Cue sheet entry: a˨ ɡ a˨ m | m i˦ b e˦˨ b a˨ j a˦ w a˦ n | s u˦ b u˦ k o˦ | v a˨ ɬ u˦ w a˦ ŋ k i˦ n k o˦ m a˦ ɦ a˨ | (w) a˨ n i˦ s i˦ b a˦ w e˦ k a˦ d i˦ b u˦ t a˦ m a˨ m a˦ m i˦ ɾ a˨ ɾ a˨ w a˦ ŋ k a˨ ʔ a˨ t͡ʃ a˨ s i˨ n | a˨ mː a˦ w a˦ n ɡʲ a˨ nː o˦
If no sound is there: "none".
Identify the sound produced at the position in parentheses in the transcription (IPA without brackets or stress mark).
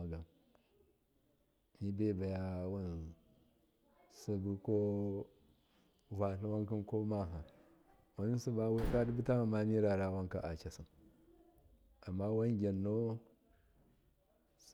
w